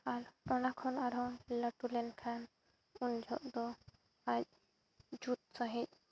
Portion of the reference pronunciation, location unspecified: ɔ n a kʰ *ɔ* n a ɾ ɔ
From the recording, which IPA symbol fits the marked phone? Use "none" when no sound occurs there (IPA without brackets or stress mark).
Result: ɔ